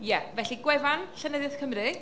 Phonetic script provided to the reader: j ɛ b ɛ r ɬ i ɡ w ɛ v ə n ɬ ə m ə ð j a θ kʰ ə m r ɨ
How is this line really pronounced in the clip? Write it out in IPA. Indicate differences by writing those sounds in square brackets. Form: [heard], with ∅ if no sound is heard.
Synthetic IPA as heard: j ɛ [v] ɛ [∅] ɬ i ɡ w ɛ v [a] n ɬ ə [n] ə ð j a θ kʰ ə m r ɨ